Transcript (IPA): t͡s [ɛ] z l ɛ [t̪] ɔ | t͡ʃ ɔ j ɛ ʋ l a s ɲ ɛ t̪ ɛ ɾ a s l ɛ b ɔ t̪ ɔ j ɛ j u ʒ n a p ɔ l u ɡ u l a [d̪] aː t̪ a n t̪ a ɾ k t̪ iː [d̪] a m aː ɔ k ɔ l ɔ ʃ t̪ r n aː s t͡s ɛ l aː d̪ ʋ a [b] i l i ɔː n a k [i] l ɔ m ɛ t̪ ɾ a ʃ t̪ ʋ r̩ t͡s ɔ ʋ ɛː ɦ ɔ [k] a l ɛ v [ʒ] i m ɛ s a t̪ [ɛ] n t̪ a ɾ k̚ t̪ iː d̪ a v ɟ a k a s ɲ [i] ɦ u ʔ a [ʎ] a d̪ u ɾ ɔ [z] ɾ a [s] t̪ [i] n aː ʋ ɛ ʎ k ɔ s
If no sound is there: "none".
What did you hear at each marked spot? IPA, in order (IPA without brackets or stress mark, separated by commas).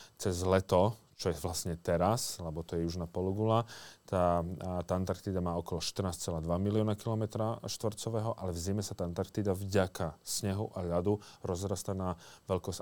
ɛ, t̪, t̪, d̪, m, i, ʔ, z, a, ɛ, ʎ, z, s, a